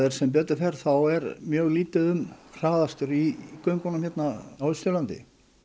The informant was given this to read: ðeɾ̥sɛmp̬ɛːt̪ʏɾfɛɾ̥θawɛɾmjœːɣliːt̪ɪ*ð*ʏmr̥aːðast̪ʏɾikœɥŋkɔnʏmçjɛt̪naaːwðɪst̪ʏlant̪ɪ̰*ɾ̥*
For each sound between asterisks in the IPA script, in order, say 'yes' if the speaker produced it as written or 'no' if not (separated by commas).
yes, no